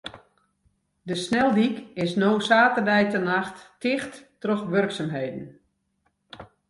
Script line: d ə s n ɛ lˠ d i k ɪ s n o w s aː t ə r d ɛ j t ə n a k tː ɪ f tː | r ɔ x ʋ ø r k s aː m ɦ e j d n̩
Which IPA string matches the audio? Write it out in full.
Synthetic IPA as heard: d ə s n ɛ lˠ d i k ɪ s n o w s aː t ə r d ɛ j t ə n a x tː ɪ x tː | r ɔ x ʋ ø r k s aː m ɦ e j d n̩